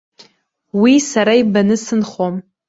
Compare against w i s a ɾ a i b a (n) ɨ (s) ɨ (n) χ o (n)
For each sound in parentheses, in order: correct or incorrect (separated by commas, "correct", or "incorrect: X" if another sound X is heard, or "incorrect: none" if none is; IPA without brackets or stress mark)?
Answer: correct, correct, correct, incorrect: m